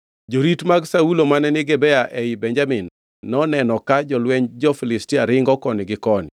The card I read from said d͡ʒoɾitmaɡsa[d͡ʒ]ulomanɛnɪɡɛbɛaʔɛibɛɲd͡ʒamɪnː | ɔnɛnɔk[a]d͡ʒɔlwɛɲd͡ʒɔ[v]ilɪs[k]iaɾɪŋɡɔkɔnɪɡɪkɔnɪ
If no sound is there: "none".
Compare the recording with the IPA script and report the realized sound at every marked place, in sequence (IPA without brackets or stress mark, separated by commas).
none, a, f, t